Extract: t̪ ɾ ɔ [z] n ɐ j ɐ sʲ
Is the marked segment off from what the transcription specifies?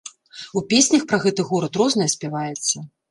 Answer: no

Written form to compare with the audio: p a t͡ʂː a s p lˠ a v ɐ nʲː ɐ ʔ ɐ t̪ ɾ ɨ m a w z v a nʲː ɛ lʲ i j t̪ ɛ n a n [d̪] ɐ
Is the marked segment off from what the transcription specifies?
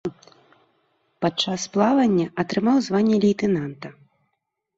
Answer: yes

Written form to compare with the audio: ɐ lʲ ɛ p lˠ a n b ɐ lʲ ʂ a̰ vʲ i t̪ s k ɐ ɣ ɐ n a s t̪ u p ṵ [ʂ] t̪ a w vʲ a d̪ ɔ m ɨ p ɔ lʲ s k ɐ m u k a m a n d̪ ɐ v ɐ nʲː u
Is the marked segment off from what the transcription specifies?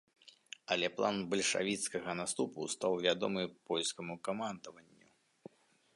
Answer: yes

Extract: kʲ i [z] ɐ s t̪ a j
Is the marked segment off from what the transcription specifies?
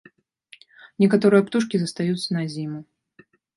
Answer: no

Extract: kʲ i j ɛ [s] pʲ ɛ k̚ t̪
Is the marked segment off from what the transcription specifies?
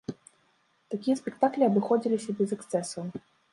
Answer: no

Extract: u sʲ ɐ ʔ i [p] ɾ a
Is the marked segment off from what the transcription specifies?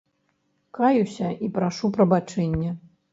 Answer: no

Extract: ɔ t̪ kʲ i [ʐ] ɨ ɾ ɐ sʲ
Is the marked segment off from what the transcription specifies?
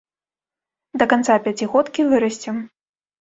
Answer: yes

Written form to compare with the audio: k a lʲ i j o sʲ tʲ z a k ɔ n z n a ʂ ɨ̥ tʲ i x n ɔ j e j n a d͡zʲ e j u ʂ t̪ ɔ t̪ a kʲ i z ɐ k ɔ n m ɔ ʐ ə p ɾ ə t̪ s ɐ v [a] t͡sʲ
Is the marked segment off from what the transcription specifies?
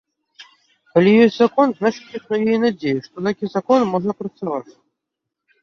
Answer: no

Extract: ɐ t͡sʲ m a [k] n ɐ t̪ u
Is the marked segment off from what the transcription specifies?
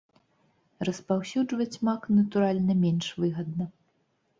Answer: no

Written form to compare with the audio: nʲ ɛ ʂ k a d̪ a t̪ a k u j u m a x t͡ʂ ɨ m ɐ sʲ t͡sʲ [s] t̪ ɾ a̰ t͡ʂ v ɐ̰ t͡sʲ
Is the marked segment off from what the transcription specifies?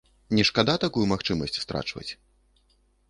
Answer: no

